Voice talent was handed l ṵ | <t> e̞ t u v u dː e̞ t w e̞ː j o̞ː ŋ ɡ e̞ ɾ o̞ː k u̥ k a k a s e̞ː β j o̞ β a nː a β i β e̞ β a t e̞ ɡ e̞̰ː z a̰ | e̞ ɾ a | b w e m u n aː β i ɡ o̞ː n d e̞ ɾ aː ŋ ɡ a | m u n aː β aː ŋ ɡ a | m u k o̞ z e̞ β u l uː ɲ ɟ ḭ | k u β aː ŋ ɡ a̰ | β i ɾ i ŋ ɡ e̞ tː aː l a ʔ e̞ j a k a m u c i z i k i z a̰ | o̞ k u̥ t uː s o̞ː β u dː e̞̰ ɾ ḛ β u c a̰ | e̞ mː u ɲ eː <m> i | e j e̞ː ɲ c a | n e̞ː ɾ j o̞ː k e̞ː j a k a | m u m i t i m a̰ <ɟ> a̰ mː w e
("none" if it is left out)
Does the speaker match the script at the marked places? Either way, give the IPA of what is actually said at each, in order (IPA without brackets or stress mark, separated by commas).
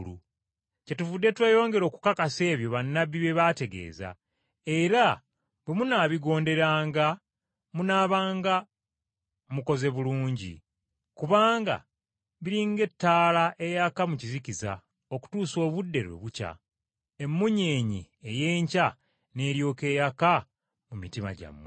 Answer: c, ɲ, ɟ